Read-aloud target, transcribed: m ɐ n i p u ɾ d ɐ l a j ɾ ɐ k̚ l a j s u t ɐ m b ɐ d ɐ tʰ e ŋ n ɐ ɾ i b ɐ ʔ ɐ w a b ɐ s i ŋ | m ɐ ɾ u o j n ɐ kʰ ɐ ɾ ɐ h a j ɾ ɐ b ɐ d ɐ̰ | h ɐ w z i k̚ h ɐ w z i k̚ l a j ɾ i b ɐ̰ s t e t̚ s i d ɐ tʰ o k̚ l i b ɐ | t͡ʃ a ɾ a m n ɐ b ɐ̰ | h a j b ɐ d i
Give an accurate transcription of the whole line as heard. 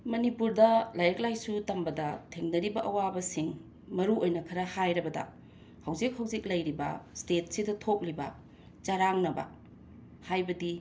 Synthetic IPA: m ɐ n i p u ɾ d ɐ l a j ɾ ɐ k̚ l a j s u t ɐ m b ɐ d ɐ tʰ e ŋ n ɐ ɾ i b ɐ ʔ ɐ w a b ɐ s i ŋ | m ɐ ɾ u o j n ɐ kʰ ɐ ɾ ɐ h a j ɾ ɐ b ɐ d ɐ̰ | h ɐ w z i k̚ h ɐ w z i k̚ l ɐ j ɾ i b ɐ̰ s t e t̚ s i d ɐ tʰ o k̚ l i b ɐ | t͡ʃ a ɾ a ŋ n ɐ b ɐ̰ | h a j b ɐ d i

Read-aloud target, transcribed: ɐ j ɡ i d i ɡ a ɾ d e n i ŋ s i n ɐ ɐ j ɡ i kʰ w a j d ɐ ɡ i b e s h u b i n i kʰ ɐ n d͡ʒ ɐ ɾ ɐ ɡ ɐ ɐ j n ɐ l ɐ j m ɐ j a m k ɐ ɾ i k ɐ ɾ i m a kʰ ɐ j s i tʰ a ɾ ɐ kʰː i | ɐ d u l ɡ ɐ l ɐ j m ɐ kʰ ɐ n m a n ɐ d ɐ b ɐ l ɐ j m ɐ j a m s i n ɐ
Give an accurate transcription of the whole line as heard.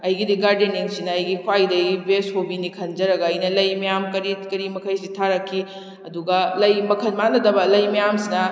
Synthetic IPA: ɐ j ɡ i d i ɡ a ɾ d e n i ŋ s i n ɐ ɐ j ɡ i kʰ w a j d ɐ ɡ i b e s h o b i n i kʰ ɐ n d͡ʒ ɐ ɾ ɐ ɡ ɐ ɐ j n ɐ l ɐ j m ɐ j a m k ɐ ɾ i k ɐ ɾ i m ɐ kʰ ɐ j s i tʰ a ɾ ɐ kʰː i | ɐ d u ɡ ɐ l ɐ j m ɐ kʰ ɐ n m a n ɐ d ɐ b ɐ l ɐ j m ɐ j a m s i n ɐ

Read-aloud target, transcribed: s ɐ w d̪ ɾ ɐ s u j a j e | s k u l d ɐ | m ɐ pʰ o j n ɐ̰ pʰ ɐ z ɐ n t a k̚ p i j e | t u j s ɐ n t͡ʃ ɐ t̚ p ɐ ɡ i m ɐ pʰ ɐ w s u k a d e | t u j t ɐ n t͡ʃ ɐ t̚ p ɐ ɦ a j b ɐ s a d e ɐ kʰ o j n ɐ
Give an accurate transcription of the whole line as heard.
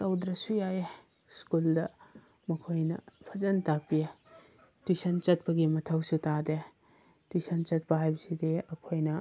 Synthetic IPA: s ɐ w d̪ ɾ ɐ s u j a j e | s k u l d ɐ | m ɐ kʰ o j n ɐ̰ pʰ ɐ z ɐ n t a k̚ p i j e | t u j s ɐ n t͡ʃ ɐ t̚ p ɐ ɡ i m ɐ tʰ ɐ w s u t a d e | t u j s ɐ n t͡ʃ ɐ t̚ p ɐ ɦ a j b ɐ s i d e ɐ kʰ o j n ɐ

